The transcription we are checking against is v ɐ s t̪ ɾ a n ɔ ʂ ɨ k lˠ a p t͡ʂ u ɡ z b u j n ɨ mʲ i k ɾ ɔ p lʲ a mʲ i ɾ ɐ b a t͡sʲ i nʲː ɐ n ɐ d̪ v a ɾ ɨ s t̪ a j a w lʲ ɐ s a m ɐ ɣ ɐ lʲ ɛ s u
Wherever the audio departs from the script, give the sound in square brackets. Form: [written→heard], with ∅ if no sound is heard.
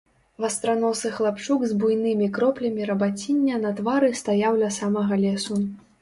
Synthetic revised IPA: v ɐ s t̪ ɾ a n ɔ [ʂ→s] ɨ [k→x] lˠ a p t͡ʂ u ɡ z b u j n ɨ mʲ i k ɾ ɔ p lʲ [a→ɐ] mʲ i ɾ ɐ b a t͡sʲ i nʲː ɐ n ɐ [d̪→t̪] v a ɾ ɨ s t̪ a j a w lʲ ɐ s a m ɐ ɣ ɐ lʲ ɛ s u